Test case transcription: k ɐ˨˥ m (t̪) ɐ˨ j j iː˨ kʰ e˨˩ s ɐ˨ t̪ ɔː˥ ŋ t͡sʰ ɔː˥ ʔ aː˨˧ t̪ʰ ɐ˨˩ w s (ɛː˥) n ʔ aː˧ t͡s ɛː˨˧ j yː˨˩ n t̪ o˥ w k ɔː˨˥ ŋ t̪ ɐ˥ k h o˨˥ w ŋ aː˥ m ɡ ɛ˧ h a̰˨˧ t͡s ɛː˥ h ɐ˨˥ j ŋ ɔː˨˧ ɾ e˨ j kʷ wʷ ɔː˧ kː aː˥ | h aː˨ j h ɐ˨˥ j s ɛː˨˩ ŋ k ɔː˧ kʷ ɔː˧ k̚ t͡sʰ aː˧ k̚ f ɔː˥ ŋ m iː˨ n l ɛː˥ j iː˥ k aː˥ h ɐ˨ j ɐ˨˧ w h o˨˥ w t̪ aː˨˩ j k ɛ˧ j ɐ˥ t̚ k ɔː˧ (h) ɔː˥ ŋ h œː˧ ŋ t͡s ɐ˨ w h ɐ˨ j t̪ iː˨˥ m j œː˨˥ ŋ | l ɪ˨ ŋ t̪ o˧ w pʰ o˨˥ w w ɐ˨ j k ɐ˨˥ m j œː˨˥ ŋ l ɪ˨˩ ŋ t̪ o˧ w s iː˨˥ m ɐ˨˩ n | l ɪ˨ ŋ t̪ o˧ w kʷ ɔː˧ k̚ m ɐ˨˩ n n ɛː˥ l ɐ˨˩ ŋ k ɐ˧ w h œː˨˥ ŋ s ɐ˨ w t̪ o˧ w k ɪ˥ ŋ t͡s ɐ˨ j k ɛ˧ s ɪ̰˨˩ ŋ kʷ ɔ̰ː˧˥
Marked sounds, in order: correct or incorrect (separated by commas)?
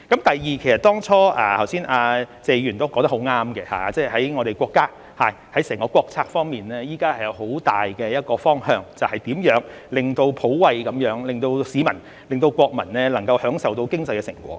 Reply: correct, incorrect, incorrect